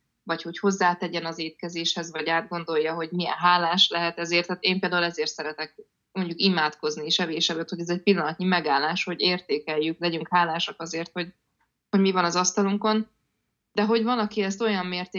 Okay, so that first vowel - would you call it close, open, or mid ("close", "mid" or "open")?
open